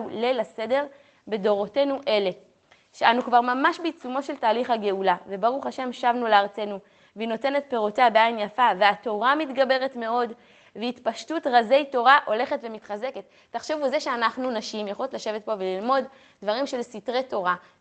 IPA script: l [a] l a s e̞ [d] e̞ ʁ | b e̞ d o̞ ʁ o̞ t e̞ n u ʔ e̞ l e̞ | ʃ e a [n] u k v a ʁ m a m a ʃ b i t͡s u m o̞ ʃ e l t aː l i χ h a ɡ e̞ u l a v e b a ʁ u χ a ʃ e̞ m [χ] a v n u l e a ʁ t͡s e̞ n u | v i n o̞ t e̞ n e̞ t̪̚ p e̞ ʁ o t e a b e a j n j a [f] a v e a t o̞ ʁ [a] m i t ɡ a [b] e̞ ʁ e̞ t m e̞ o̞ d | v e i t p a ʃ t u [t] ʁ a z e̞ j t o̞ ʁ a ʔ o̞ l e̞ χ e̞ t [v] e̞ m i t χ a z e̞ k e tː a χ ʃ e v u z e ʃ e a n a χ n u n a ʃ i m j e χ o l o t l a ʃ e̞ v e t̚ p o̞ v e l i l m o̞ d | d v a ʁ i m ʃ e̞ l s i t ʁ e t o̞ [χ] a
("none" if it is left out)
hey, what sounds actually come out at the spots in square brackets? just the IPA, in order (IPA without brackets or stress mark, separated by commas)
e, d, n, ʃ, f, a, b, t, v, ʁ